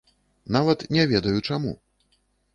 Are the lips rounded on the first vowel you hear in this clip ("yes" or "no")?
no